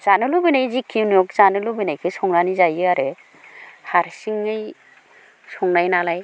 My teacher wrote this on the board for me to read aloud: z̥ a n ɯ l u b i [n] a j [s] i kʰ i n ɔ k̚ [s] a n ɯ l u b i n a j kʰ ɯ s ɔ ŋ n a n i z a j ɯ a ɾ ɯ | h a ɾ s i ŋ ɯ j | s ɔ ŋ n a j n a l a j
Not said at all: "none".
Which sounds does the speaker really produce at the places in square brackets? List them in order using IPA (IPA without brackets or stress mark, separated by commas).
n, z, z